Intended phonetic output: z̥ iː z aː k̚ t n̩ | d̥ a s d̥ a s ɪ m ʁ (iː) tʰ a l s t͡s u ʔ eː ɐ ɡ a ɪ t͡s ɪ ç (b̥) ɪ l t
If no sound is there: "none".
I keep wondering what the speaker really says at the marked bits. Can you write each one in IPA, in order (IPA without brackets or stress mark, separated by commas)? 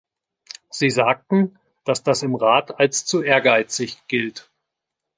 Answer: aː, ɡ̥